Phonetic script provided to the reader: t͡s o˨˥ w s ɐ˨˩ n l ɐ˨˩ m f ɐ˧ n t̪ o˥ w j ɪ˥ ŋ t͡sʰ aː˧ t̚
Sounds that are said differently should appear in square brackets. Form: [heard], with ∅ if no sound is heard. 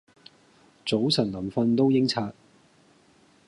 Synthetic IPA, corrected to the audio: t͡s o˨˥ w s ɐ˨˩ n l ɐ˨˩ m f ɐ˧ n t̪ o˥ w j ɪ˥ ŋ t͡sʰ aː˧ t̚